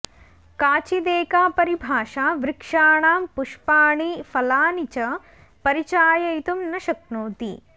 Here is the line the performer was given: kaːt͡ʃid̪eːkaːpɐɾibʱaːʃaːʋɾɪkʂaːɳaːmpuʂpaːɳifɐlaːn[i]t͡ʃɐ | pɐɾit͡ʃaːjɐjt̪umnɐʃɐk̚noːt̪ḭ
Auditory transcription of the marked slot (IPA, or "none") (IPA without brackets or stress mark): i